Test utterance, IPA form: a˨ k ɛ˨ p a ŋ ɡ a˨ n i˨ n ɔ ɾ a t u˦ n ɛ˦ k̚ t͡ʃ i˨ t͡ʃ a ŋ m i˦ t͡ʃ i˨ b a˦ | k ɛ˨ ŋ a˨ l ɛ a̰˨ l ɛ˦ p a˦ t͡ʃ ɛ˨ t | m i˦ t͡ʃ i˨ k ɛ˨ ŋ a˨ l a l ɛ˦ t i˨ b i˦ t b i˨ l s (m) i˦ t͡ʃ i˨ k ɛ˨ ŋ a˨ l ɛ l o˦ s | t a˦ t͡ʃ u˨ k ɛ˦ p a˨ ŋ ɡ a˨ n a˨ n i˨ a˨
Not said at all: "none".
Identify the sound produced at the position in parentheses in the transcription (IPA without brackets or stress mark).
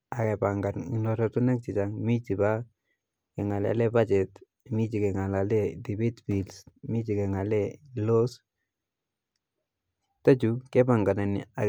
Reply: m